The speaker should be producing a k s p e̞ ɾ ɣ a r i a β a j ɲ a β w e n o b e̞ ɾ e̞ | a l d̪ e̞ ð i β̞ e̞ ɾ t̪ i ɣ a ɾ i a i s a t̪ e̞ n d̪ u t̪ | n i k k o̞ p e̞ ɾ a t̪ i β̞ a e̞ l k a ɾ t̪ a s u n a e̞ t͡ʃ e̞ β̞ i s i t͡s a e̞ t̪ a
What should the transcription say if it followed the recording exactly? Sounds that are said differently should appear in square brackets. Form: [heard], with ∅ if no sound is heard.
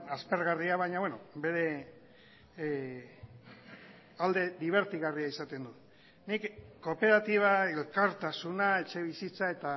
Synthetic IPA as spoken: a [∅] s p e̞ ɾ ɣ a r i a β a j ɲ a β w e n o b e̞ ɾ e̞ | a l d̪ e̞ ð i β̞ e̞ ɾ t̪ i ɣ a [r] i a i s a t̪ e̞ n d̪ u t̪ | n i k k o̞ p e̞ ɾ a t̪ i β̞ a e̞ l k a ɾ t̪ a s u n a e̞ t͡ʃ e̞ β̞ i s i t͡s a e̞ t̪ a